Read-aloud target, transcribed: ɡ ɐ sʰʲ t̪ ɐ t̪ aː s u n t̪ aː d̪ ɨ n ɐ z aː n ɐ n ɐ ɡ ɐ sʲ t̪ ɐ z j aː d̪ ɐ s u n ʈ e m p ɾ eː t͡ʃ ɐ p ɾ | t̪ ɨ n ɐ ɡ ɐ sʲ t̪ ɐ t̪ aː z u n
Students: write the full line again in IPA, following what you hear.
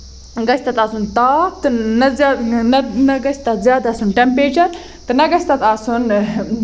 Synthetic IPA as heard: ɡ ɐ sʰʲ t̪ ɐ t̪ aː s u n t̪ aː t̪ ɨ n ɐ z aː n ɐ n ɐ ɡ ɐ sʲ t̪ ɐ z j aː d̪ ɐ s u n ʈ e m p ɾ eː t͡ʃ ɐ ɾ | t̪ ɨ n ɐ ɡ ɐ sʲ t̪ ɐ t̪ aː s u n